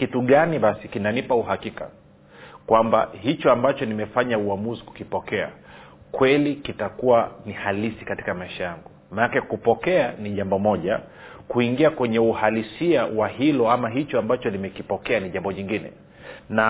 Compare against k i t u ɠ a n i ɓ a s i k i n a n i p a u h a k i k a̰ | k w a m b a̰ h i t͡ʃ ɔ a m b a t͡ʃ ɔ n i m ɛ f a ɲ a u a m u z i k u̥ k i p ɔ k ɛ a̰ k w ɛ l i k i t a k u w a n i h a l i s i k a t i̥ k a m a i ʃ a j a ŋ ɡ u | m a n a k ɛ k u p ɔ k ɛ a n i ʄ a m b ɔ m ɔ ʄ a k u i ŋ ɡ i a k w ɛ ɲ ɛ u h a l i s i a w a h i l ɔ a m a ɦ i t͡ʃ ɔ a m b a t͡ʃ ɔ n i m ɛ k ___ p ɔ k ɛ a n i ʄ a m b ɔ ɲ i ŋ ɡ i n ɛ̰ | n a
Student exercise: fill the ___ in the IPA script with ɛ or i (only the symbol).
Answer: i